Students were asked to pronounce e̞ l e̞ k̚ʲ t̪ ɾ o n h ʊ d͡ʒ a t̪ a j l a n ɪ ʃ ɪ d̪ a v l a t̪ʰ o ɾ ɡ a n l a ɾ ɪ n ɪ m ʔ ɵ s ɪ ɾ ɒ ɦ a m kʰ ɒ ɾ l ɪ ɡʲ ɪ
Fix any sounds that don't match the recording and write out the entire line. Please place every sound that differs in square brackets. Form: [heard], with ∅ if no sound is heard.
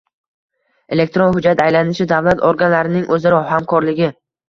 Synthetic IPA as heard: e̞ l e̞ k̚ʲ t̪ ɾ o n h ʊ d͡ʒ a t̪ a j l a n ɪ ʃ ɪ d̪ a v l a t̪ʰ o ɾ ɡ a n l a ɾ ɪ n ɪ [ŋ] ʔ ɵ [z] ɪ ɾ ɒ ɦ a m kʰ ɒ ɾ l ɪ ɡʲ ɪ